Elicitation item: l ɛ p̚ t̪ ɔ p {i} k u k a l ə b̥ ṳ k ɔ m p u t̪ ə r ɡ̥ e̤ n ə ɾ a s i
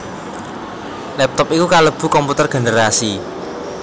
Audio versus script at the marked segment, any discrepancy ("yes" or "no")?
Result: no